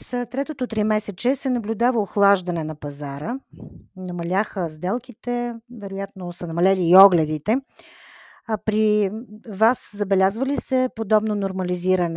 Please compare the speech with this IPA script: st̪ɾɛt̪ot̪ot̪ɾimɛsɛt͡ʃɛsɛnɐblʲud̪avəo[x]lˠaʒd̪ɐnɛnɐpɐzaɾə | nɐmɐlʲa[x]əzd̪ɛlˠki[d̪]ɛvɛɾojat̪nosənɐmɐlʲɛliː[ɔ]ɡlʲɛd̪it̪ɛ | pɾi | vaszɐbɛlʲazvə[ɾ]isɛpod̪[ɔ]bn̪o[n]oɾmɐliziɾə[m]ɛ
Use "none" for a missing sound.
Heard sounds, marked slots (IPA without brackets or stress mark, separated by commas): x, x, t̪, ɔ, l, ɔ, n, n